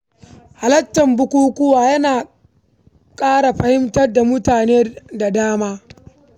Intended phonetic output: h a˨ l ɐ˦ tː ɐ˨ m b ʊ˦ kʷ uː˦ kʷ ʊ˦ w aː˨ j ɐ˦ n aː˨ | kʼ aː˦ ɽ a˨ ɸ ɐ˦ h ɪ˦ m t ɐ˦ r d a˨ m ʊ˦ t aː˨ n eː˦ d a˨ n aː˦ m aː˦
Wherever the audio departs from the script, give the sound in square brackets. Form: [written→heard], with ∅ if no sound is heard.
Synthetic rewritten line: h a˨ l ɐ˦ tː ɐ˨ m b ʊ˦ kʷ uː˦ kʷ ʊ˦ w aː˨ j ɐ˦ n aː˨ | kʼ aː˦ ɽ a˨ ɸ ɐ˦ h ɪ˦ m t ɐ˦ r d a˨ m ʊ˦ t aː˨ n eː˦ d a˨ [n→d] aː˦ m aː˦